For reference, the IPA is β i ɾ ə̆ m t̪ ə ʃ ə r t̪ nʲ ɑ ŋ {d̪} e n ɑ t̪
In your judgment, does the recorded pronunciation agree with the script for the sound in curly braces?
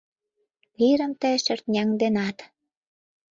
yes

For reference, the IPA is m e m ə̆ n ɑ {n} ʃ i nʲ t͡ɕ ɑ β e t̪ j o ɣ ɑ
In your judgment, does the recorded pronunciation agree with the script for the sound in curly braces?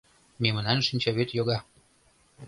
yes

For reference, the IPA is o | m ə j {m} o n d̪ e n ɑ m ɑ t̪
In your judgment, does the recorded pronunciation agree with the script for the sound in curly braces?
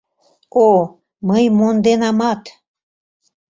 yes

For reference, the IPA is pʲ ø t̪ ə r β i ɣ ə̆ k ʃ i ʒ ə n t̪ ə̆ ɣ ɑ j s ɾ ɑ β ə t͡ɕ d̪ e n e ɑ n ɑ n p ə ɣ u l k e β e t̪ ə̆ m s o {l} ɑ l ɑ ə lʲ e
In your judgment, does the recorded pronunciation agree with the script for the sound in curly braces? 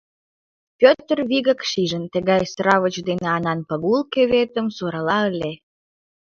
no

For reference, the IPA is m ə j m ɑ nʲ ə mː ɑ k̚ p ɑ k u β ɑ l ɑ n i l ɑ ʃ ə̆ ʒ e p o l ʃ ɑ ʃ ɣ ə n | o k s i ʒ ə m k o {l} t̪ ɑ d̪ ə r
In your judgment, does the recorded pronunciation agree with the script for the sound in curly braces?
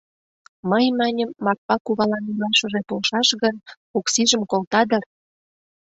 yes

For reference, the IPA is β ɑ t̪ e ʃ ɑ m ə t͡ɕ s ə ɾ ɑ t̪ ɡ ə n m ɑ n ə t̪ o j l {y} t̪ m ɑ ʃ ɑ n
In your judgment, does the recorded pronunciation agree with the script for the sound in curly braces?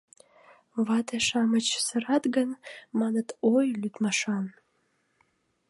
yes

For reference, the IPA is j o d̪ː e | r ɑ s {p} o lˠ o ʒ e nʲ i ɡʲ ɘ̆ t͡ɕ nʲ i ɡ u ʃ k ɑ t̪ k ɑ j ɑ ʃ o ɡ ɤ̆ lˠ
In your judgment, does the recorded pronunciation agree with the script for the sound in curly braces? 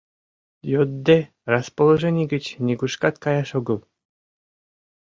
yes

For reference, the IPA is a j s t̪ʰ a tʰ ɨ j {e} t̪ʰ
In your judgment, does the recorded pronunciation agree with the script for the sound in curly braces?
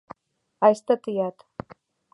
no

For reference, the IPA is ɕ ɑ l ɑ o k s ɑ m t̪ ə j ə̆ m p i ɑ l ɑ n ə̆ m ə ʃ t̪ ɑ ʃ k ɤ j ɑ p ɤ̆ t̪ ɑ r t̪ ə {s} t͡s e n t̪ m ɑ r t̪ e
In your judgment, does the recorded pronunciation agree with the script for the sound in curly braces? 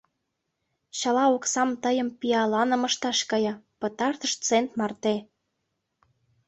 no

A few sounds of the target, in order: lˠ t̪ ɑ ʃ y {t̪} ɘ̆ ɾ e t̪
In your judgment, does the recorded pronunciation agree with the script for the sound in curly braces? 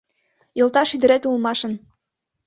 no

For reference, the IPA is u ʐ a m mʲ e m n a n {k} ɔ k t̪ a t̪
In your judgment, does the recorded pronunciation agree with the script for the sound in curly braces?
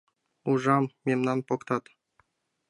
no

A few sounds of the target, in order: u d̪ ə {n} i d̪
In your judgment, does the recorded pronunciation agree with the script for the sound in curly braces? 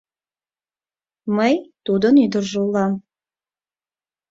yes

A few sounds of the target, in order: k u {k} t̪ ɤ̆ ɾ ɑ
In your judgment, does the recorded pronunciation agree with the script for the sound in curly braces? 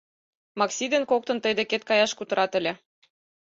no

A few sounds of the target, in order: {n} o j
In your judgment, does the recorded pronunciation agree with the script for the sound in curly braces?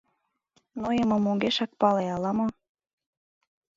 yes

